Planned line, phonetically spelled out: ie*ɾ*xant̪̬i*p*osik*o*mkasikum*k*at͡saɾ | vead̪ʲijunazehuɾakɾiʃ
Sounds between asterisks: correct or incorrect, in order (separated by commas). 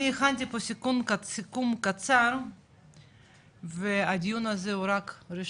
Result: incorrect, correct, incorrect, correct